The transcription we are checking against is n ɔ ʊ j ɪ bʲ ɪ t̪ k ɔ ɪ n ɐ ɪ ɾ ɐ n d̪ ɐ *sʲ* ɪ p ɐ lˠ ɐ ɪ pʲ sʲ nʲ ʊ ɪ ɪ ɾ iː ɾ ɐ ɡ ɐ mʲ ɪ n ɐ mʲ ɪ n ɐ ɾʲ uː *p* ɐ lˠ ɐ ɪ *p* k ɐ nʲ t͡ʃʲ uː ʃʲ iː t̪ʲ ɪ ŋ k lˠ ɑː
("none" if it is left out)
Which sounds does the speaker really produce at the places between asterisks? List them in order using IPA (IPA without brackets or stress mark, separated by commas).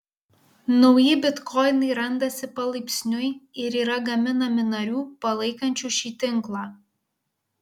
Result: sʲ, p, none